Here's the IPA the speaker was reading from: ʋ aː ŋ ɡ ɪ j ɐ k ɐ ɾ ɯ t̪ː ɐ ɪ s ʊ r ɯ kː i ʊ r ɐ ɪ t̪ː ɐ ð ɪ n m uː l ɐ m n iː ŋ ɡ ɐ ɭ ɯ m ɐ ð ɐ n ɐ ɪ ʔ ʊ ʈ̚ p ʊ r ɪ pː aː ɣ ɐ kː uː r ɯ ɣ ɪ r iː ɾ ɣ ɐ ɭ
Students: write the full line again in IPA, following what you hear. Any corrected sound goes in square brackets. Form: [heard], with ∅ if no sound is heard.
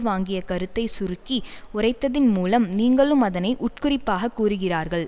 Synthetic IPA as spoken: ʋ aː ŋ ɡ ɪ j ɐ k ɐ ɾ ɯ t̪ː ɐ ɪ s ʊ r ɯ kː i ʊ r ɐ ɪ t̪ː ɐ ð ɪ n m uː l ɐ m n iː ŋ ɡ ɐ ɭ ɯ m ɐ ð ɐ n ɐ ɪ ʔ ʊ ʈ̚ [k] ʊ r ɪ pː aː ɣ ɐ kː uː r ɯ ɣ ɪ r [aː] ɾ ɣ ɐ ɭ

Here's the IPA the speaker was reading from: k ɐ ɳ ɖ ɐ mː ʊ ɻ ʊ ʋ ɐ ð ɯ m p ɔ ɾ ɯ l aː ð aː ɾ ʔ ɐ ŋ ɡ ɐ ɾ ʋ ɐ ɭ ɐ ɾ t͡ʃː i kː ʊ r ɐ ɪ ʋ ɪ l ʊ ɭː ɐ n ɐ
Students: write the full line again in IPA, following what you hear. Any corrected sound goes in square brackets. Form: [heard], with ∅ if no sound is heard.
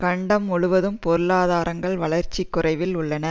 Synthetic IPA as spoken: k ɐ ɳ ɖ ɐ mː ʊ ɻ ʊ ʋ ɐ ð ɯ m p ɔ ɾ ɯ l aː ð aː ɾ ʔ ɐ ŋ ɡ ɐ [ɭ] ʋ ɐ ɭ ɐ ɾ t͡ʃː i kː ʊ r ɐ ɪ ʋ ɪ l ʊ ɭː ɐ n ɐ

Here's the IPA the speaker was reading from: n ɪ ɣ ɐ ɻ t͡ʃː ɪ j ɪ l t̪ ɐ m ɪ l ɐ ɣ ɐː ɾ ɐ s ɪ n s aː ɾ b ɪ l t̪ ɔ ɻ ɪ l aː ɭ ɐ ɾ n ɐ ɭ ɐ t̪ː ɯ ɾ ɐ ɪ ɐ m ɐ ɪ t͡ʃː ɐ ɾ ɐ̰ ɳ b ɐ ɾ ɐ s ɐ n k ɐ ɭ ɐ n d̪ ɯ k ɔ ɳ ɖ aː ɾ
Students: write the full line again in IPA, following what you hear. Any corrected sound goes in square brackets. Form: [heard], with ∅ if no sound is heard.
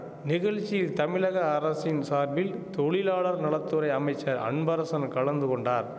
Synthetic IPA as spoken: n ɪ ɣ ɐ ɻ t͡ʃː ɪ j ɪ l t̪ ɐ m ɪ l ɐ ɣ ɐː ɾ ɐ s ɪ n s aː ɾ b ɪ l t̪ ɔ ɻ ɪ l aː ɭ ɐ ɾ n ɐ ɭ ɐ t̪ː ɯ ɾ ɐ ɪ ɐ m ɐ ɪ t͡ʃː ɐ ɾ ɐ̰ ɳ b ɐ ɾ ɐ s ɐ n k ɐ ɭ ɐ n d̪ ɯ k ɔ ɳ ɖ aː ɾ

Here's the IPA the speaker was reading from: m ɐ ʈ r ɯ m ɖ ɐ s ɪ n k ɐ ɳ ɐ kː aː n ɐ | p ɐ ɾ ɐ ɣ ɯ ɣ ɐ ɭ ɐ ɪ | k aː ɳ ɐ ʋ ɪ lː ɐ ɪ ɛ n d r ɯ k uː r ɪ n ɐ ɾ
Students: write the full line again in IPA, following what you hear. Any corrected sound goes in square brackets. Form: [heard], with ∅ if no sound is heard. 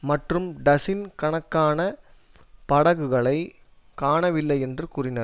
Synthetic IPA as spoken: m ɐ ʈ r ɯ m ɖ ɐ s ɪ n k ɐ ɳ ɐ kː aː n ɐ | p ɐ [ɽ] ɐ ɣ ɯ ɣ ɐ ɭ ɐ ɪ | k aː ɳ ɐ ʋ ɪ lː ɐ ɪ ɛ n d r ɯ k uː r ɪ n ɐ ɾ

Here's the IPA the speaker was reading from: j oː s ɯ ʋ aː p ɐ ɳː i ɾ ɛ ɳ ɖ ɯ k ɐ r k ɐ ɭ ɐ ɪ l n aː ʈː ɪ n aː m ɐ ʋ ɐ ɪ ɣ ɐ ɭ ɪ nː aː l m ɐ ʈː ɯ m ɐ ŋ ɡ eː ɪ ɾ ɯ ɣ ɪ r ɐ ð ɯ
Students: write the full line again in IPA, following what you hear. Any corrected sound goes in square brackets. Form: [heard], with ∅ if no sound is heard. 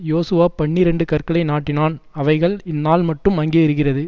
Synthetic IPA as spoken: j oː s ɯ ʋ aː p ɐ ɳː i ɾ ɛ ɳ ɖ ɯ k ɐ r k ɐ ɭ ɐ ɪ [∅] n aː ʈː ɪ n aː [n] ɐ ʋ ɐ ɪ ɣ ɐ ɭ ɪ nː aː l m ɐ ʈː ɯ m ɐ ŋ ɡ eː ɪ ɾ ɯ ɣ ɪ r ɐ ð ɯ

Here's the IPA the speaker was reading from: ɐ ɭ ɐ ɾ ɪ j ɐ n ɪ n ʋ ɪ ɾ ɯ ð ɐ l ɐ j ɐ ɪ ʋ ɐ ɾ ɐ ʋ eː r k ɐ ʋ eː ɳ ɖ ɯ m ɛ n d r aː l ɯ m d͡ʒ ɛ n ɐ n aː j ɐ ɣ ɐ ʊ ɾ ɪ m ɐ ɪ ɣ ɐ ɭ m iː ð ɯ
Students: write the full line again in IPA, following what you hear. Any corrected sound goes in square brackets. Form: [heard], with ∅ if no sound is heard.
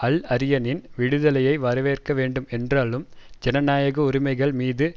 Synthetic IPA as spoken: ɐ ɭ ɐ ɾ ɪ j ɐ n ɪ n ʋ ɪ [ɽ] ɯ ð ɐ l ɐ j ɐ ɪ ʋ ɐ ɾ ɐ ʋ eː r k ɐ ʋ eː ɳ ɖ ɯ m ɛ n d r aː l ɯ m d͡ʒ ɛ n ɐ n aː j ɐ ɣ ɐ ʊ ɾ ɪ m ɐ ɪ ɣ ɐ ɭ m iː ð ɯ

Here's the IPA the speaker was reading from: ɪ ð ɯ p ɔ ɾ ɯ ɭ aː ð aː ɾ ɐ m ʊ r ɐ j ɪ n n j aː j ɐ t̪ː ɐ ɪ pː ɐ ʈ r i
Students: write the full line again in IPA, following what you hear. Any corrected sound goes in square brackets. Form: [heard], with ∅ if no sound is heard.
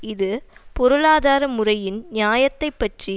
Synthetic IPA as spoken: ɪ ð ɯ p ɔ ɾ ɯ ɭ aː ð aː ɾ ɐ m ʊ r ɐ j ɪ n n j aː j ɐ t̪ː ɐ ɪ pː ɐ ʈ r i

